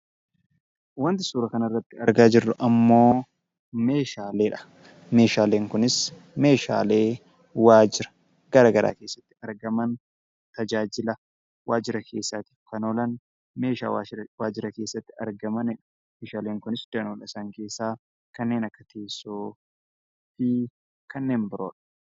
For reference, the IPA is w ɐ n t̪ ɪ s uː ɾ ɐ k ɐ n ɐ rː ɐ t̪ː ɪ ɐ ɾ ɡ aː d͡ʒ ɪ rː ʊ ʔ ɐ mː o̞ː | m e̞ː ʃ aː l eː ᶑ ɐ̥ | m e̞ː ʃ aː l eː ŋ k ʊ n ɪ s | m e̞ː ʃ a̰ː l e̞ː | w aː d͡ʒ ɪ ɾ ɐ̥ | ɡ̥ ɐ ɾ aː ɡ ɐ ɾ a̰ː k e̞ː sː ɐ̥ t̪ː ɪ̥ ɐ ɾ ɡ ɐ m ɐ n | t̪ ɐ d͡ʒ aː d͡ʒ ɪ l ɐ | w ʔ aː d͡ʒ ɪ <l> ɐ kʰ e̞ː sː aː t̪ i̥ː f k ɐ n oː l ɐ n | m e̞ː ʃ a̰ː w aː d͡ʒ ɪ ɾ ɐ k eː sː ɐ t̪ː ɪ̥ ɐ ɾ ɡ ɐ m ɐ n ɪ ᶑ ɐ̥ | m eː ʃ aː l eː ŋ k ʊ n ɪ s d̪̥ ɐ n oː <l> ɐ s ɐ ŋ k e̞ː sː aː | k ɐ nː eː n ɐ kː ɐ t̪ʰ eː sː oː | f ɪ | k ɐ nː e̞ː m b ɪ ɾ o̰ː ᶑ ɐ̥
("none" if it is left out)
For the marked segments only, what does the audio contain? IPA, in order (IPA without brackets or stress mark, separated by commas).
ɾ, l